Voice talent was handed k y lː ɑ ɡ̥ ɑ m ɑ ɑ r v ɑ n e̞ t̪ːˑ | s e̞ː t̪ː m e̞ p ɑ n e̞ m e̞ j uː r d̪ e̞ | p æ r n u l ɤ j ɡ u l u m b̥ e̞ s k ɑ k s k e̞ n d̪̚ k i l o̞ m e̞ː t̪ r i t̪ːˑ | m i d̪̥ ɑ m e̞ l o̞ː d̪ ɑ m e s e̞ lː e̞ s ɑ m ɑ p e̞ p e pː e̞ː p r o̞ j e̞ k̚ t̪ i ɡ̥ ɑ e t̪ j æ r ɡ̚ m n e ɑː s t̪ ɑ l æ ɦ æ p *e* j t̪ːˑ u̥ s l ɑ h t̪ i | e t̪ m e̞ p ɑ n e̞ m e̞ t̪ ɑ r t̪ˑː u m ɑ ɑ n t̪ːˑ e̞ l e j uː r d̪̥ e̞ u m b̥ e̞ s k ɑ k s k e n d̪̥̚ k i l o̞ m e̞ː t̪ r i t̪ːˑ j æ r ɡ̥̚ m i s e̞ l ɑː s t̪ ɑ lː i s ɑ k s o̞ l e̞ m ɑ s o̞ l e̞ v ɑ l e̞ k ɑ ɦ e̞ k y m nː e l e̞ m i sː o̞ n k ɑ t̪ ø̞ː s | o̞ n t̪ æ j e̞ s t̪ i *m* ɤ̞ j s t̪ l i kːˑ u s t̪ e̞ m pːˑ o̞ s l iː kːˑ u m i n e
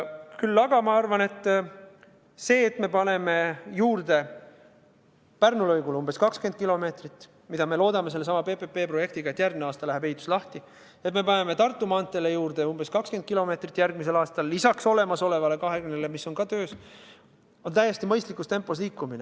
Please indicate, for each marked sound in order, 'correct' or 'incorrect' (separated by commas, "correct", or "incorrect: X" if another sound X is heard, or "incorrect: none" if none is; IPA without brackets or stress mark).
correct, correct